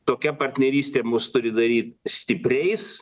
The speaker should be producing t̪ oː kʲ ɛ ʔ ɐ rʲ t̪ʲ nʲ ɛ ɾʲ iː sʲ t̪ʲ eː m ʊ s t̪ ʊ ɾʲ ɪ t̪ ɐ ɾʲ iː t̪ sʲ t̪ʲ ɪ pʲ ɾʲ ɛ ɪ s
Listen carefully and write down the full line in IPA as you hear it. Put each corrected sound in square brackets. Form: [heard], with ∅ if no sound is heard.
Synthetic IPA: t̪ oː kʲ ɛ [p] ɐ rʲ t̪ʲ nʲ ɛ ɾʲ iː sʲ t̪ʲ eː m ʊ s t̪ ʊ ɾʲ ɪ [d̪] ɐ ɾʲ iː t̪ sʲ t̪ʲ ɪ pʲ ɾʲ ɛ ɪ s

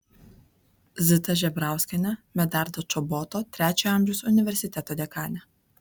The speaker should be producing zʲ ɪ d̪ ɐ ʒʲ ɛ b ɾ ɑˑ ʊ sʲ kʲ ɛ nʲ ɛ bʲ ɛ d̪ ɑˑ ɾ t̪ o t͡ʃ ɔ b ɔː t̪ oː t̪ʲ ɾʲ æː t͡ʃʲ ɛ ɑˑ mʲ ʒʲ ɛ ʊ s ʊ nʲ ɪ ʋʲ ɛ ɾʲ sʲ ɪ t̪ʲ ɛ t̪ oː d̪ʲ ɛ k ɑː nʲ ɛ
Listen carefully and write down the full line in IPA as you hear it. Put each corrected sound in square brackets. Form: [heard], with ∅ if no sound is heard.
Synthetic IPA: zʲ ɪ [t̪] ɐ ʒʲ ɛ b ɾ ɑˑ ʊ sʲ kʲ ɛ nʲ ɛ [mʲ] ɛ d̪ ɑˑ ɾ [d̪] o t͡ʃ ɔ b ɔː t̪ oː t̪ʲ ɾʲ æː t͡ʃʲ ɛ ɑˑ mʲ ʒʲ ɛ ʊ s ʊ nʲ ɪ ʋʲ ɛ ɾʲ sʲ ɪ t̪ʲ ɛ t̪ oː d̪ʲ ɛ k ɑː nʲ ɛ

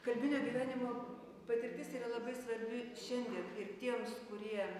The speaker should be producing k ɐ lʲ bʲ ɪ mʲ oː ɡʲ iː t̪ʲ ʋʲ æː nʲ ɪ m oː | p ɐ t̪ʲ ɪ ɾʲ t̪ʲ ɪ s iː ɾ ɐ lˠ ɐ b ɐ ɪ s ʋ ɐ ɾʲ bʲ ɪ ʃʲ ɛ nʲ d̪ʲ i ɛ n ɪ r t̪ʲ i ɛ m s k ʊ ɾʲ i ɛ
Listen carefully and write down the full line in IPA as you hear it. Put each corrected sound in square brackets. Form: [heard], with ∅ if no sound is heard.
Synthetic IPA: k ɐ lʲ bʲ ɪ [nʲ] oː ɡʲ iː [∅] ʋʲ æː nʲ ɪ m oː | p ɐ t̪ʲ ɪ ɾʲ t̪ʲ ɪ s iː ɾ ɐ lˠ ɐ b ɐ ɪ s ʋ ɐ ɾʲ bʲ ɪ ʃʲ ɛ nʲ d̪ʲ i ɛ n ɪ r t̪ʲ i ɛ m s k ʊ ɾʲ i ɛ

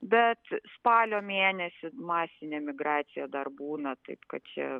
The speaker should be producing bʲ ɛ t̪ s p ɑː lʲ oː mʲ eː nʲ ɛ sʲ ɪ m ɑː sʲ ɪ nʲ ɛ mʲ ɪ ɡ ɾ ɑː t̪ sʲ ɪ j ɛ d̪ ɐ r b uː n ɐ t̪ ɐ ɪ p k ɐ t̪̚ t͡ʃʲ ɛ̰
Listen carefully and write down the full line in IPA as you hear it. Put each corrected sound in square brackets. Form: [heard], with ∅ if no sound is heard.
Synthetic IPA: bʲ ɛ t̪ s p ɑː lʲ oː mʲ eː nʲ ɛ sʲ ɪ m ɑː sʲ ɪ nʲ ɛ mʲ ɪ ɡ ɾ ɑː t̪ sʲ ɪ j ɛ d̪ ɐ r b uː n ɐ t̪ ɐ ɪ p k ɐ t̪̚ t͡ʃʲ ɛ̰

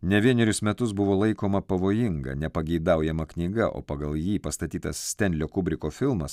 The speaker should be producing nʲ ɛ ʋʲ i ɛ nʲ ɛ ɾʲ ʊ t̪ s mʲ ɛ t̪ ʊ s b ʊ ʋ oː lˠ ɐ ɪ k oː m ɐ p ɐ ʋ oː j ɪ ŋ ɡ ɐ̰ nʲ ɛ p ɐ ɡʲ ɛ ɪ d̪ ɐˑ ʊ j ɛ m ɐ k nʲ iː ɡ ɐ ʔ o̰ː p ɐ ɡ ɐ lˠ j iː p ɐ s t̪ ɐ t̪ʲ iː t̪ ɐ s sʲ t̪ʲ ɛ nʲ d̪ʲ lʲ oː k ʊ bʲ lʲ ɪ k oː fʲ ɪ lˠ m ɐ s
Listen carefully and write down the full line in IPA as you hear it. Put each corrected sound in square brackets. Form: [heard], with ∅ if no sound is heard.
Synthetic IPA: nʲ ɛ ʋʲ i ɛ nʲ ɛ ɾʲ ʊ [∅] s mʲ ɛ t̪ ʊ s b ʊ ʋ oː lˠ ɐ ɪ k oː m ɐ p ɐ ʋ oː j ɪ ŋ ɡ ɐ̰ nʲ ɛ p ɐ ɡʲ ɛ ɪ d̪ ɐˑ ʊ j ɛ m ɐ k nʲ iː ɡ ɐ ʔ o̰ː p ɐ ɡ ɐ lˠ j iː p ɐ s t̪ ɐ t̪ʲ iː t̪ ɐ s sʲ t̪ʲ ɛ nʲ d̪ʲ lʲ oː k ʊ bʲ [ɾʲ] ɪ k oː fʲ ɪ lˠ m ɐ s

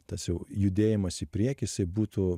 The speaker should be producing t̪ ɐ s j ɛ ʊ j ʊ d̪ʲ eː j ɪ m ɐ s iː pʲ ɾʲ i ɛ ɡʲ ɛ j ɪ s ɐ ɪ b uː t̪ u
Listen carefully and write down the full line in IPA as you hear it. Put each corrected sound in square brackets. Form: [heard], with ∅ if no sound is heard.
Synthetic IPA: t̪ ɐ s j ɛ ʊ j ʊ d̪ʲ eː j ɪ m ɐ s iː pʲ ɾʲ i ɛ [kʲ] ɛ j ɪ s ɐ ɪ b uː t̪ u

